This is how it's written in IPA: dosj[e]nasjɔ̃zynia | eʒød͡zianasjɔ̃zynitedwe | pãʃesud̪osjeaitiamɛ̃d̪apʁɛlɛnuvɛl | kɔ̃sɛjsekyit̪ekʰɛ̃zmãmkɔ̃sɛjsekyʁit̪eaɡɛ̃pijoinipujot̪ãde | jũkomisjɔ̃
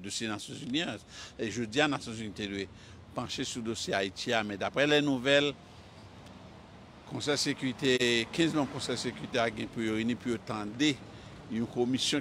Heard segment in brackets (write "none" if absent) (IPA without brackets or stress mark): e